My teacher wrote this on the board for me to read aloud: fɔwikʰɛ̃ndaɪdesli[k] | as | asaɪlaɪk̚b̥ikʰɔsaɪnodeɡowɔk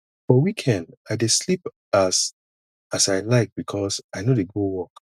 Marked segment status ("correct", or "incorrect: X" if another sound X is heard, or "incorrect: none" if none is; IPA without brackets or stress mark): incorrect: p